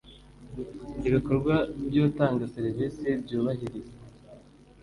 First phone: i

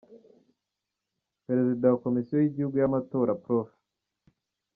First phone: p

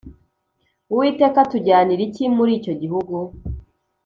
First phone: u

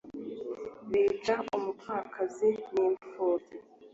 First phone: β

